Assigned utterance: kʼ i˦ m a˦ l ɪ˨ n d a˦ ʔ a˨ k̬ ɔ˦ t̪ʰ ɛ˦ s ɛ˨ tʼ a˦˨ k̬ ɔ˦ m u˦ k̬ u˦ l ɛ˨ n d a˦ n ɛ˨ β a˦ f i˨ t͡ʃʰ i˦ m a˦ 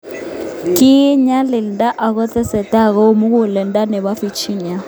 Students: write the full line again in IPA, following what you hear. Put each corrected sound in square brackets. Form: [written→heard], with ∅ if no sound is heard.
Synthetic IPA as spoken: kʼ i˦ [m→ɲ] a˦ l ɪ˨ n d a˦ ʔ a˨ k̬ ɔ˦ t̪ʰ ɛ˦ s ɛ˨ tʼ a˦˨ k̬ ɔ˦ m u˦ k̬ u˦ l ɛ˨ n d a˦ n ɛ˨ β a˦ f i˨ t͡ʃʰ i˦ [m→ɲ] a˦